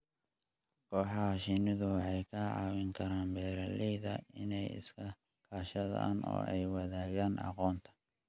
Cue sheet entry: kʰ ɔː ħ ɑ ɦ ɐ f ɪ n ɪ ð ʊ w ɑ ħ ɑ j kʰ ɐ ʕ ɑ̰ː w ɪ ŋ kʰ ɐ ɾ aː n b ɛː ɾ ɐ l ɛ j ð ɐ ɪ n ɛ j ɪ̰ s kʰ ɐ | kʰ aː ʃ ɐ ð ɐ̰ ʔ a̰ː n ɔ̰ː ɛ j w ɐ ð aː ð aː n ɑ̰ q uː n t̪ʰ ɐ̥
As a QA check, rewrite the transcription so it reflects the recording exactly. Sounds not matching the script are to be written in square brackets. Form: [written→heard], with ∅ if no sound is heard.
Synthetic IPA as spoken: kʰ ɔː ħ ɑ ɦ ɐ [f→ʃ] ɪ n ɪ ð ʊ w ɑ ħ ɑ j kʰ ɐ ʕ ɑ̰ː w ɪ ŋ kʰ ɐ ɾ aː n b ɛː ɾ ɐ l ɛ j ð ɐ ɪ n ɛ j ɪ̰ s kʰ ɐ | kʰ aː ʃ ɐ ð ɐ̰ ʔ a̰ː n ɔ̰ː ɛ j w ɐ ð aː [ð→ɣ] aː n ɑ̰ q [uː→ɔː] n t̪ʰ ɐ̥